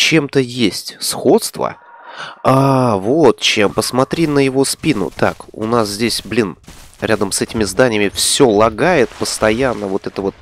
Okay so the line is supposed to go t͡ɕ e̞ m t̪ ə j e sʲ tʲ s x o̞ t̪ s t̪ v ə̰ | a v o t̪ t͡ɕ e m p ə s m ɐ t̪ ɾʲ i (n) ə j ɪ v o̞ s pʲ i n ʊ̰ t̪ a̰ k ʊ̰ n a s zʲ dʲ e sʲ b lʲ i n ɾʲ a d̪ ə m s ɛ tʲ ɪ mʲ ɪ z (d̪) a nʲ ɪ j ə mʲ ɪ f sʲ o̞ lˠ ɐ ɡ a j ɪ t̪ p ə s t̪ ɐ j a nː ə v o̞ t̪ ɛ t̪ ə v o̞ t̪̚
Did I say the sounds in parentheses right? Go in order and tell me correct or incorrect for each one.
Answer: correct, correct

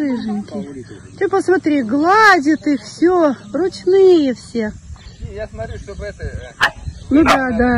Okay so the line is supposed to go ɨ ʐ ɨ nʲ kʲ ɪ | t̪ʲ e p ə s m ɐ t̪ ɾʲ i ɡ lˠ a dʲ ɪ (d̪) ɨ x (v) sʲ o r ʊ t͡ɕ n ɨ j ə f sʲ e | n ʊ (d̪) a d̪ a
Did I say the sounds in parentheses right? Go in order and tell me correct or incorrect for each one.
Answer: incorrect, incorrect, correct

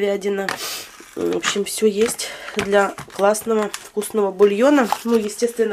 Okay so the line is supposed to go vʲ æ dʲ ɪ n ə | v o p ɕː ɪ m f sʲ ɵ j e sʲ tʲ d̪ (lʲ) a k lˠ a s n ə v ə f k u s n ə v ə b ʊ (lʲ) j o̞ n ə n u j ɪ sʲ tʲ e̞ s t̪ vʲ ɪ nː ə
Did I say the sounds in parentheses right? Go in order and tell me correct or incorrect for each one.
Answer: correct, correct

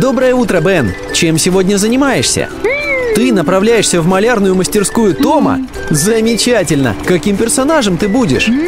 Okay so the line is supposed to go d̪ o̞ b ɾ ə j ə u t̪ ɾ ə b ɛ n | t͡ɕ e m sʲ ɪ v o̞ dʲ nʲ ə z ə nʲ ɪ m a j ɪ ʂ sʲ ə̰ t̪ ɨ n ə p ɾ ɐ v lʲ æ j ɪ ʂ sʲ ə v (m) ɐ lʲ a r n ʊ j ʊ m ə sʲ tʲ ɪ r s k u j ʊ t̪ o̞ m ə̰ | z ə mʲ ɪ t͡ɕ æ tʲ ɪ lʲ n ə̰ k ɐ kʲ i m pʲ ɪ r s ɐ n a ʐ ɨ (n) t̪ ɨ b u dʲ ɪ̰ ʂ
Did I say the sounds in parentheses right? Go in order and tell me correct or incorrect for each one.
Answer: correct, incorrect

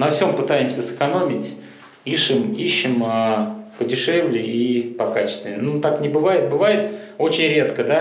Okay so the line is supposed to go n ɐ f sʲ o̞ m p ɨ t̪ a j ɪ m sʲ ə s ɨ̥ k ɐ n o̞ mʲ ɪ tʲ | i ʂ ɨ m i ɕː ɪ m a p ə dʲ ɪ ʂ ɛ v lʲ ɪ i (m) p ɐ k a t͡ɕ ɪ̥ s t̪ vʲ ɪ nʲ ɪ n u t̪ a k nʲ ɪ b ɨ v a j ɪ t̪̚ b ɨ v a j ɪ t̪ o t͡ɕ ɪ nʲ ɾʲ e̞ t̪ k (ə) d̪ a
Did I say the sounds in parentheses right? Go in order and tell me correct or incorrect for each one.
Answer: incorrect, correct

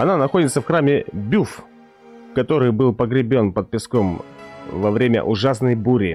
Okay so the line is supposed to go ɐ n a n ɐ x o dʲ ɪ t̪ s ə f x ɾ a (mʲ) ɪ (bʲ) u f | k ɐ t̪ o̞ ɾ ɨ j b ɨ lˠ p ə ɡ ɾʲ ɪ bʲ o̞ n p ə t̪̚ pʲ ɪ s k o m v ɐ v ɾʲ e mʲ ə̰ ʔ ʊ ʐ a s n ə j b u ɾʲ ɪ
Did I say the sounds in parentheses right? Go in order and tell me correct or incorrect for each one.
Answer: correct, correct

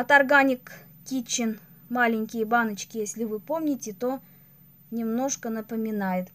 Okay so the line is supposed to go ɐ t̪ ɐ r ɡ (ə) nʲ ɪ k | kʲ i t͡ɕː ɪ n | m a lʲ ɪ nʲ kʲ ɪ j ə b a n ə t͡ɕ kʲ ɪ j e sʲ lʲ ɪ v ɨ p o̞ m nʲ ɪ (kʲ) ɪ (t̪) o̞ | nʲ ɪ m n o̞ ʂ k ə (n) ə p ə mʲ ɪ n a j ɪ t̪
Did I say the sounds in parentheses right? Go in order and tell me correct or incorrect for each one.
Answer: incorrect, incorrect, correct, correct

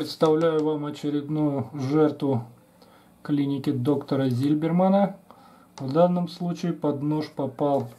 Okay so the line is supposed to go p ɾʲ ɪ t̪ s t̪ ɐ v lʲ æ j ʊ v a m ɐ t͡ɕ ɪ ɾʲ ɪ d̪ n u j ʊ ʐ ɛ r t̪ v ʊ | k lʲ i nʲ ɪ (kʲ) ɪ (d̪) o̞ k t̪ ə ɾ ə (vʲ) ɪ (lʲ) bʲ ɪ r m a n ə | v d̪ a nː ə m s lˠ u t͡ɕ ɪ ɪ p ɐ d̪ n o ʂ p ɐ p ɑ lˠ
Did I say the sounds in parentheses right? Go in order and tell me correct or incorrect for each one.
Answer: correct, correct, incorrect, correct

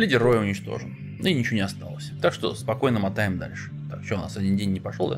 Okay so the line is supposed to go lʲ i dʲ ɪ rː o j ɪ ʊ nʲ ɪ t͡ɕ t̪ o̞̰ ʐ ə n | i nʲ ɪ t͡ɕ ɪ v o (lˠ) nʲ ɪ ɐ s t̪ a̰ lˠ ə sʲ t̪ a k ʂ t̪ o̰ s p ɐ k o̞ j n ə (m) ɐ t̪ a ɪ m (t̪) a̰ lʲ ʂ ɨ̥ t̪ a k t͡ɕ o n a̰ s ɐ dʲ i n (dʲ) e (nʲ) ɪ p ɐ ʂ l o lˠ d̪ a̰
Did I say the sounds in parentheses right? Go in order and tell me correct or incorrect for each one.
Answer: incorrect, correct, incorrect, correct, incorrect

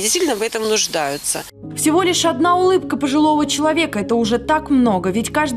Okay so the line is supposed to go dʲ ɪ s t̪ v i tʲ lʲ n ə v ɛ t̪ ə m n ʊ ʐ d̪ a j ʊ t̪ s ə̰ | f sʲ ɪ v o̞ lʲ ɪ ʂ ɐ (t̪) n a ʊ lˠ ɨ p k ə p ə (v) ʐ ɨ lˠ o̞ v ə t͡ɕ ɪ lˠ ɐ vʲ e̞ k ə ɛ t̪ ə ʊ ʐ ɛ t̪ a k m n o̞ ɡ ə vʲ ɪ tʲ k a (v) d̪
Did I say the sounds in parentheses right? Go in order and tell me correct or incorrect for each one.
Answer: incorrect, incorrect, incorrect

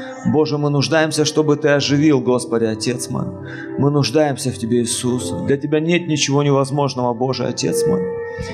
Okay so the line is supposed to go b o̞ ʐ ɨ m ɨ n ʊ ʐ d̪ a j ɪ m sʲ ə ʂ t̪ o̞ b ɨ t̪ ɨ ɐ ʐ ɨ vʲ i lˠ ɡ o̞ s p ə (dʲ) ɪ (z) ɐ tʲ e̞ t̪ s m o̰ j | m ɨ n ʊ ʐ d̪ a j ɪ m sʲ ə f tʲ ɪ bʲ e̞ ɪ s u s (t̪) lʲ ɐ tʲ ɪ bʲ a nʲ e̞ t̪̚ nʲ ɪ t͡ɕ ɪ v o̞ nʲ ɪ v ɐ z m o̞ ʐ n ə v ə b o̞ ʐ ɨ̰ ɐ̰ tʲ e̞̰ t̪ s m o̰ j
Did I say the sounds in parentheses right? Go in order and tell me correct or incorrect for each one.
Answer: correct, incorrect, incorrect

